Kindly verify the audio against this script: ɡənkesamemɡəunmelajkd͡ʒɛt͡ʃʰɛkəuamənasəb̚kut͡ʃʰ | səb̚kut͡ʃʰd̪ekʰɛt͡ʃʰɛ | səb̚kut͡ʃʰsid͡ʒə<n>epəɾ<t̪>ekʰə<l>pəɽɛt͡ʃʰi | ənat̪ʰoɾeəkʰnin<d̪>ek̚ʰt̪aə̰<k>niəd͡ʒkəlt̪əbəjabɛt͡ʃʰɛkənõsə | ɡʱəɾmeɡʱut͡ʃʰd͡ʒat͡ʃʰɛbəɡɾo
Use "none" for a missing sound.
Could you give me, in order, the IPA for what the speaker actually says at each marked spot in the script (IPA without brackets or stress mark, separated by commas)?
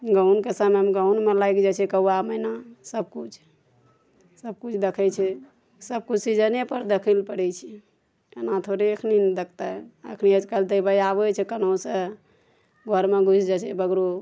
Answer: n, d̪, l, d̪, kʰ